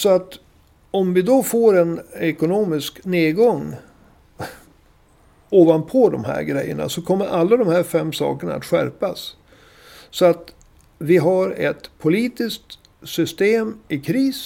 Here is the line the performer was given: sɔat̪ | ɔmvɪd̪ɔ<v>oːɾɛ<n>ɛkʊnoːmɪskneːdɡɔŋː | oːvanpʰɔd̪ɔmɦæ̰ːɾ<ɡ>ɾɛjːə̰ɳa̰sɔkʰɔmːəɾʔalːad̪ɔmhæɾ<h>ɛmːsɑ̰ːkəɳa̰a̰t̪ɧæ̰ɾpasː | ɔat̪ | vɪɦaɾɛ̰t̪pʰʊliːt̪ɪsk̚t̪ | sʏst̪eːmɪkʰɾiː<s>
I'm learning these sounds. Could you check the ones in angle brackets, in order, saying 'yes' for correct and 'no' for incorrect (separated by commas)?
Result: no, yes, yes, no, yes